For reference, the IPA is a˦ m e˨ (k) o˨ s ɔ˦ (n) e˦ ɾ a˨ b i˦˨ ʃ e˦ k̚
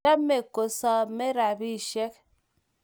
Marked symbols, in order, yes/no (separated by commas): yes, no